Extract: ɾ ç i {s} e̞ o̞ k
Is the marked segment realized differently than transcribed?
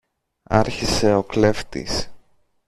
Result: no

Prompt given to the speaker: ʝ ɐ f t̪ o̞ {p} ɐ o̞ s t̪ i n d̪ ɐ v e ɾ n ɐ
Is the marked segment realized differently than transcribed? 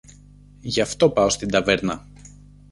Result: no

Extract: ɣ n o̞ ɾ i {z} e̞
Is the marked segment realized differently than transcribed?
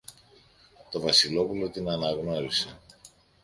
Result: yes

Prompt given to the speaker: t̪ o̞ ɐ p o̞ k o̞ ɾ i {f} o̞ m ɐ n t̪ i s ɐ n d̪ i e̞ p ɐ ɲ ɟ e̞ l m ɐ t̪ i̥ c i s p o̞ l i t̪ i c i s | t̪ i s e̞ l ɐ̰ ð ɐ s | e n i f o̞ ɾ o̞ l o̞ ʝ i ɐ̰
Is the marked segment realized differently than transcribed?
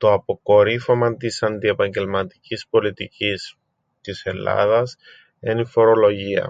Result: no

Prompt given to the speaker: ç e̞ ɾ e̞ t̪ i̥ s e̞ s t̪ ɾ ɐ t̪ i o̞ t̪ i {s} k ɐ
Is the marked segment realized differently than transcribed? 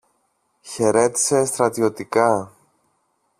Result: yes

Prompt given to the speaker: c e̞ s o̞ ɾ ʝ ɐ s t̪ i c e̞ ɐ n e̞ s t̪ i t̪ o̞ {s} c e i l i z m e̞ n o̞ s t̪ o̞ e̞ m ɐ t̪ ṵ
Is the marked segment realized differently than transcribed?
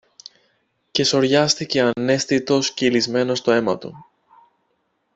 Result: no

